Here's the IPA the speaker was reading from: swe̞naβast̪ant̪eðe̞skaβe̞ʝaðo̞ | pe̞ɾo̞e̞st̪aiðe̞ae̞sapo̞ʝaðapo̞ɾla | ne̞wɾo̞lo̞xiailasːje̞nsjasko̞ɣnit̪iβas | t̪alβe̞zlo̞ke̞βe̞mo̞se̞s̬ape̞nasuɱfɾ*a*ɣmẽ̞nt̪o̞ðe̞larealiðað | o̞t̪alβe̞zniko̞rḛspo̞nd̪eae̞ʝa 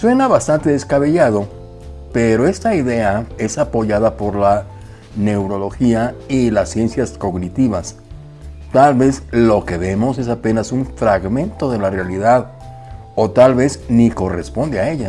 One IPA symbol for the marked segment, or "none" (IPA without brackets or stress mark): a